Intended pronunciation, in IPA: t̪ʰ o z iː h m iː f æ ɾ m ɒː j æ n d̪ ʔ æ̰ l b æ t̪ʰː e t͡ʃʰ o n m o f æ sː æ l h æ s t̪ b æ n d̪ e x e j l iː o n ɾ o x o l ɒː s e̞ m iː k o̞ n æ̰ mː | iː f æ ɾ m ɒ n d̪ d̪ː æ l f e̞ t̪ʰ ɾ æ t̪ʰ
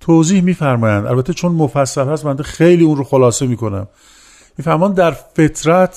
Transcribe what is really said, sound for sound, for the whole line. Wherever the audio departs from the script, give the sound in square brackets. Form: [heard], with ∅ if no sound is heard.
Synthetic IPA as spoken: t̪ʰ o z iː h m iː f æ ɾ m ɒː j æ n d̪ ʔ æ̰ l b æ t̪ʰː e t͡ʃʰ o n m o f æ sː æ l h æ s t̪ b æ n d̪ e x e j l iː [u] n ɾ o x o l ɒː s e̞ m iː k o̞ n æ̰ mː | iː f æ ɾ m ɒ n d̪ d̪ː æ [ɾ] f e̞ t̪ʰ ɾ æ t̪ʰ